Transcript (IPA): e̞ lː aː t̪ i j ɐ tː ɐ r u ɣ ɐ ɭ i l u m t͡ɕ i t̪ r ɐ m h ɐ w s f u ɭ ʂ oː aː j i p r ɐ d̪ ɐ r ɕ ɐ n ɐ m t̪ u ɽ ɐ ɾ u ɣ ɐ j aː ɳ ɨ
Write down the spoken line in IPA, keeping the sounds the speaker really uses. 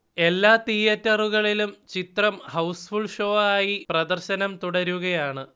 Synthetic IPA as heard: e̞ lː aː t̪ i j ɐ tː ɐ r u ɣ ɐ ɭ i l u m t͡ɕ i t̪ r ɐ m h ɐ w s f u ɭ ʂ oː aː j i p r ɐ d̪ ɐ r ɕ ɐ n ɐ m t̪ u ɽ ɐ ɾ u ɣ ɐ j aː ɳ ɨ